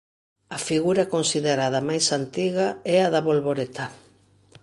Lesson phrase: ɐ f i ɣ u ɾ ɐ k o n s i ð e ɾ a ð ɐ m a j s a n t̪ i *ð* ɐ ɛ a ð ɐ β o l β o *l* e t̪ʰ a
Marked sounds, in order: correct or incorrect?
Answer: incorrect, incorrect

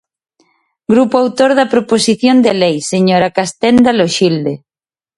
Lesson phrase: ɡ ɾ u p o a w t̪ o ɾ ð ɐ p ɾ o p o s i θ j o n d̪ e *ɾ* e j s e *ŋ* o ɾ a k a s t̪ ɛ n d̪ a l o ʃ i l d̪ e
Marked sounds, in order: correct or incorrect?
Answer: incorrect, incorrect

